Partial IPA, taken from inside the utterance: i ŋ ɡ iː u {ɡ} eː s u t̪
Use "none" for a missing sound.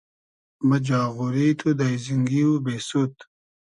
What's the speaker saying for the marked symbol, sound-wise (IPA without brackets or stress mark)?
b